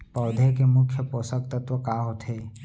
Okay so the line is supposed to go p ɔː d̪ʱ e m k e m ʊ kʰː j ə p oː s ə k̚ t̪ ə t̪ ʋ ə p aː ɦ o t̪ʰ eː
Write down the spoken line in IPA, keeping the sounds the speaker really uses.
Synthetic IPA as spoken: p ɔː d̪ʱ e k e m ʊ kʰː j ə p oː s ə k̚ t̪ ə t̪ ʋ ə k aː ɦ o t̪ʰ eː

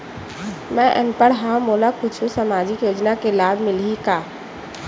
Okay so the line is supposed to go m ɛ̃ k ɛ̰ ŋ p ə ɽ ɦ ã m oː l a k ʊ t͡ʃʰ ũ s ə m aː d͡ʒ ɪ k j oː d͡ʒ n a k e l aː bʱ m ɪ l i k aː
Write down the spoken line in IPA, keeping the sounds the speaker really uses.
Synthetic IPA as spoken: m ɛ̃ ʔ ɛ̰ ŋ p ə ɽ ɦ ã m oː l a k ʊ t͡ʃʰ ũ s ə m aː d͡ʒ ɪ k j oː d͡ʒ n a k e l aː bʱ m ɪ l i k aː

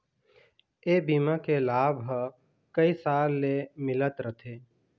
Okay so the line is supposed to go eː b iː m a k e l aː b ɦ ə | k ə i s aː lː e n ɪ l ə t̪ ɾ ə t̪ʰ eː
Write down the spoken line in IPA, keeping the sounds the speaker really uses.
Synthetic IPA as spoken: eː b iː m a k e l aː b ɦ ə | k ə i s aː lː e m ɪ l ə t̪ ɾ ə t̪ʰ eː

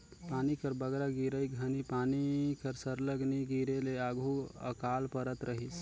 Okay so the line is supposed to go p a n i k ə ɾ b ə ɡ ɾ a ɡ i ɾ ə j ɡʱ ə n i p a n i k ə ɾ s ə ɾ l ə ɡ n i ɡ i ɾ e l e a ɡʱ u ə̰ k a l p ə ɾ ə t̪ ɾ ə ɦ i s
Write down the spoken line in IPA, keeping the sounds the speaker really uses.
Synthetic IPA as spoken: p a n i k ə ɾ b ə ɡ ɾ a ɡ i ɾ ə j ɡʱ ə n i p a n i k ə ɾ s ə ɾ l ə ɡ n i ɡ i ɾ e l e a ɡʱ u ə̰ k a l p ə ɾ ə t̪ ɾ ə ɦ i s

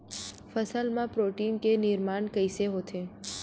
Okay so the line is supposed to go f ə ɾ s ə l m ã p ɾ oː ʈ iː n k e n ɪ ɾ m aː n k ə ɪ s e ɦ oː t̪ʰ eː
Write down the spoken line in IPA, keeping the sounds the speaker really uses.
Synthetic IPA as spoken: f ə s ə l m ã p ɾ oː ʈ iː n k e n ɪ ɾ m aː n k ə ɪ s e ɦ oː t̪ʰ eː

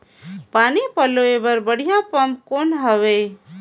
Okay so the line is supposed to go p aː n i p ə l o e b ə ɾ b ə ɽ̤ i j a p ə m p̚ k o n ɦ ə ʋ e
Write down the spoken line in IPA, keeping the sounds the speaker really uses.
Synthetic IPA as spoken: p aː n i p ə l o e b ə ɾ b ə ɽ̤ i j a p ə m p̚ k o n ɦ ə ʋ e

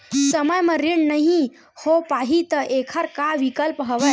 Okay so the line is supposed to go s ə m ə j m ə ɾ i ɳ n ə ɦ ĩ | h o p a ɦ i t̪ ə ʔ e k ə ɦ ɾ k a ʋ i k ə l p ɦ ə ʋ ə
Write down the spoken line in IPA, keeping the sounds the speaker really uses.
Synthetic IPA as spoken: s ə m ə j m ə ɾ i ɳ n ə ɦ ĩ | h o p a ɦ i t̪ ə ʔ e kʰ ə ɾ k a ʋ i k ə l p ɦ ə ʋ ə

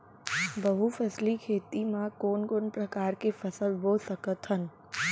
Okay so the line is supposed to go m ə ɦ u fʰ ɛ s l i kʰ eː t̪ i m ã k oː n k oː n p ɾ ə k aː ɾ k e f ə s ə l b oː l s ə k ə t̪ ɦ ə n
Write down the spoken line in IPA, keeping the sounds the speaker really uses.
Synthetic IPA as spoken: b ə ɦ u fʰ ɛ s l i kʰ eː t̪ i m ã k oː n k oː n p ɾ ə k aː ɾ k e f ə s ə l b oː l s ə k ə t̪ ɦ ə n

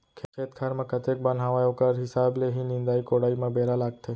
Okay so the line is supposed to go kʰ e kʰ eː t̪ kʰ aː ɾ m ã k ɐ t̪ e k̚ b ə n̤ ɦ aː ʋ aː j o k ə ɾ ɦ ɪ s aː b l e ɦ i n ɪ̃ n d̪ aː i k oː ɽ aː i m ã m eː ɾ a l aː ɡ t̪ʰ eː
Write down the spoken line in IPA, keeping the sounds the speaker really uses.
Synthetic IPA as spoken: kʰ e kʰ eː t̪ kʰ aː ɾ m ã k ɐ t̪ e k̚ b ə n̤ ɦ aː ʋ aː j o k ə ɾ ɦ ɪ s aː b l e ɦ i n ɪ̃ n d̪ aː i k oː ɽ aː i m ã b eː ɾ a l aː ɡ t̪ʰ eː

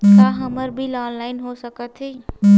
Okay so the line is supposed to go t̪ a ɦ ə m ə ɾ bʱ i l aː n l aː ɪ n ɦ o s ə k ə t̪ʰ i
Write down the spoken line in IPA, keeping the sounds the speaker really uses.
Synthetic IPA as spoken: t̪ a ɦ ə m ə ɾ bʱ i l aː n l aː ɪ n ɦ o s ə k ə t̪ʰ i

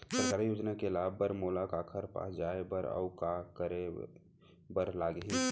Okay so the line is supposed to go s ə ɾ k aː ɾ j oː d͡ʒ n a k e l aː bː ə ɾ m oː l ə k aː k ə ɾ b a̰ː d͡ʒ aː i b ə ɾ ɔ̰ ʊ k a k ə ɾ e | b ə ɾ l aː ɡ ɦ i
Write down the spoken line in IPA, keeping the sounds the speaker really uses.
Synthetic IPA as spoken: s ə ɾ k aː ɾ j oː d͡ʒ n a k e l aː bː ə ɾ m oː l a k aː kʰ ə ɾ p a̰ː d͡ʒ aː e b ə ɾ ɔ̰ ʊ k a k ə ɾ e | b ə ɾ l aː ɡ ɦ i

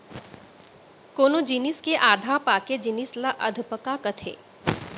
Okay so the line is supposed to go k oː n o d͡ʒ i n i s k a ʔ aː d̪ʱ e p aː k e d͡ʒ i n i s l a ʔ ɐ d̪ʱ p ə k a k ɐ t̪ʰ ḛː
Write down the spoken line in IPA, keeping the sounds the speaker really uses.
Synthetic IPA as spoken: k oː n o d͡ʒ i n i s k e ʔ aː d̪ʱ a p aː k e d͡ʒ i n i s l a ʔ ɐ d̪ʱ p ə k a k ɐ t̪ʰ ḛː

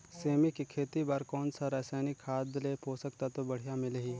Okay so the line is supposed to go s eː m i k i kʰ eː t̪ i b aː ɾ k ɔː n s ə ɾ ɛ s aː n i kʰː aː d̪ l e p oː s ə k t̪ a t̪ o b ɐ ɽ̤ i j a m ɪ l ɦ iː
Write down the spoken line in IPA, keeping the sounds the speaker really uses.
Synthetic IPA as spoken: s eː m i k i kʰ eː t̪ i b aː ɾ k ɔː n s a ɾ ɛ s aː n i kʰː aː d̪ l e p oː s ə k t̪ a t̪ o b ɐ ɽ̤ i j a m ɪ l ɦ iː

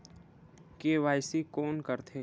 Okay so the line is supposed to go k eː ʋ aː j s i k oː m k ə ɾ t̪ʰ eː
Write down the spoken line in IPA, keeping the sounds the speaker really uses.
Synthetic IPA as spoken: k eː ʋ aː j s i k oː n k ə ɾ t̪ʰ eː

